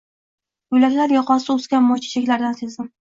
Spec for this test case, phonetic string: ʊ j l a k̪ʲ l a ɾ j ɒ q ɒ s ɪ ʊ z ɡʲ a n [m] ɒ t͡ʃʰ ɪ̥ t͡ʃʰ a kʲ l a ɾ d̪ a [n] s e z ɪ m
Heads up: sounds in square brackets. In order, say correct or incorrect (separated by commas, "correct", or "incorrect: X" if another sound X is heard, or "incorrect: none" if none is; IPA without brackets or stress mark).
correct, correct